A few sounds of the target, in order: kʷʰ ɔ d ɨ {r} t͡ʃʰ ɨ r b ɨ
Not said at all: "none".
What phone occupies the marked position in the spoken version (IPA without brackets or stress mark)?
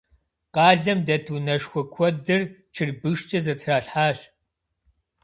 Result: r